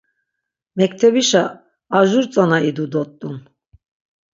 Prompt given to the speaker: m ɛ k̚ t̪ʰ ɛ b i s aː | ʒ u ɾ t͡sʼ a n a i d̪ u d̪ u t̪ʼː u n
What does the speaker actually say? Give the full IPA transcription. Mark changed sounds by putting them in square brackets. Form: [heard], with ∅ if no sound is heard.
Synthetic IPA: m ɛ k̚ t̪ʰ ɛ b i [ʃ] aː | ʒ u ɾ t͡sʼ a n a i d̪ u d̪ [ɔ] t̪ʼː u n